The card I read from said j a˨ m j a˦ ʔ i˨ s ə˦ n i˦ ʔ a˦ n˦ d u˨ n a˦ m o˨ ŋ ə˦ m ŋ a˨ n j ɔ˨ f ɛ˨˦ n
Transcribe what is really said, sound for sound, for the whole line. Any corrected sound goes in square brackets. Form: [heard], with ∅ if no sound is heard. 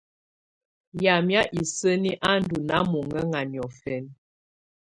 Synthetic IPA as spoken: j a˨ m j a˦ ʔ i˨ s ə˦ n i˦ ʔ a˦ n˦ d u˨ n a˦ m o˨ ŋ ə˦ [∅] ŋ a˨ n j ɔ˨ f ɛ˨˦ n